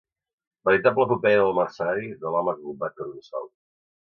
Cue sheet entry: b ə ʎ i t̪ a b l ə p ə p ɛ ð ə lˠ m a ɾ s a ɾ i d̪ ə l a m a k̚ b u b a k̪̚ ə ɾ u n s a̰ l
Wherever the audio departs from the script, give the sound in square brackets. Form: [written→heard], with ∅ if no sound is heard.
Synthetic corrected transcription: b ə [ʎ→ɾ] i t̪ a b l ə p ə p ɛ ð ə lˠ m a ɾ s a ɾ i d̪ ə l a m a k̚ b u b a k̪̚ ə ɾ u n s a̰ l

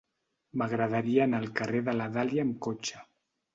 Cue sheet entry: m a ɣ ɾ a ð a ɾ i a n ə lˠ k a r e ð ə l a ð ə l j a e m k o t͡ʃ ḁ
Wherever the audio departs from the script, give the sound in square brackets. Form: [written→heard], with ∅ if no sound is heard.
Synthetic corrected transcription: m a ɣ ɾ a ð a ɾ i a n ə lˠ k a r e ð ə l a ð [ə→a] l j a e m k o t͡ʃ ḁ

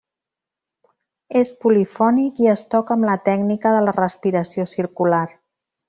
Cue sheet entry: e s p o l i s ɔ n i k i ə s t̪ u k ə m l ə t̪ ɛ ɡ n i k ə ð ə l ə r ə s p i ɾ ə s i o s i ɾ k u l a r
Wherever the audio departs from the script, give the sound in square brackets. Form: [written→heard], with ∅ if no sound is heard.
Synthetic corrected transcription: e s p [o→u] l i [s→f] ɔ n i k i ə s t̪ [u→ɔ] k ə m l ə t̪ ɛ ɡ n i k ə ð ə l ə r ə s p i ɾ ə s i o s i ɾ k u l a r

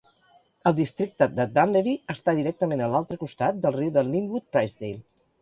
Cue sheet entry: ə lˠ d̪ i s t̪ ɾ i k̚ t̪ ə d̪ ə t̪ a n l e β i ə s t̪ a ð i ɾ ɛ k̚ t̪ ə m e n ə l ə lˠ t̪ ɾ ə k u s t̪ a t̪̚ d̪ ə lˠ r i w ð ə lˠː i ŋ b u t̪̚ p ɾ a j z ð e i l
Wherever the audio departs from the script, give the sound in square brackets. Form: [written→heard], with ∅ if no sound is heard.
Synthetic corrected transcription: ə lˠ d̪ i s t̪ ɾ i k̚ t̪ ə d̪ ə [t̪→d̪] a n l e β i ə s t̪ a ð i ɾ ɛ k̚ t̪ ə m e n ə l [ə→a] lˠ t̪ ɾ ə k u s t̪ a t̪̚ d̪ ə lˠ r i w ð ə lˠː i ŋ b u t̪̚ p ɾ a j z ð e [i→j] l

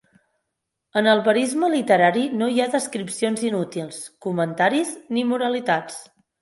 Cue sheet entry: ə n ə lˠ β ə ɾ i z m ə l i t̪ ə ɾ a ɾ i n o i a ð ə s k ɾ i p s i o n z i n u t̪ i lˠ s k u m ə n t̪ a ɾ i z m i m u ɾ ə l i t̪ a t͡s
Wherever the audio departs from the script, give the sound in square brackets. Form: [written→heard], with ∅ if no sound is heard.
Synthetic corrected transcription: ə n ə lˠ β ə ɾ i z m ə l i t̪ ə ɾ a ɾ i n o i a ð ə s k ɾ i p s i o n z i n u t̪ i lˠ s k u m ə n t̪ a ɾ i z [m→n] i m u ɾ ə l i t̪ a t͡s

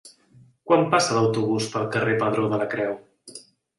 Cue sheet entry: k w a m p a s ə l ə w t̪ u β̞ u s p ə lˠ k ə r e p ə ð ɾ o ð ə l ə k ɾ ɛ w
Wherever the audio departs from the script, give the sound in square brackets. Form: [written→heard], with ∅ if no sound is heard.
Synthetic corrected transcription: k w a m p a s ə l ə w t̪ u β̞ u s p ə lˠ k ə r e p ə ð ɾ o ð ə l ə k ɾ ɛ w

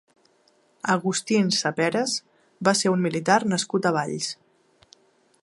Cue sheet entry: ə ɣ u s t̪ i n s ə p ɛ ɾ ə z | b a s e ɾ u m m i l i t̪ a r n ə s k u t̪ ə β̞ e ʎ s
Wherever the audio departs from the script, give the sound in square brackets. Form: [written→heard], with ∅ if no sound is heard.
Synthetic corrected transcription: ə ɣ u s t̪ i n s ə p ɛ ɾ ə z | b a s e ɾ u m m i l i t̪ a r n ə s k u t̪ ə β̞ [e→a] ʎ s

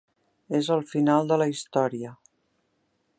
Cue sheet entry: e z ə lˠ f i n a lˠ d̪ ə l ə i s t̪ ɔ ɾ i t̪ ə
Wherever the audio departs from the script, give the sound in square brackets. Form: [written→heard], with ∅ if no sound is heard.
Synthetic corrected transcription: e z ə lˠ f i n a lˠ d̪ ə l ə i s t̪ ɔ ɾ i [t̪→∅] ə

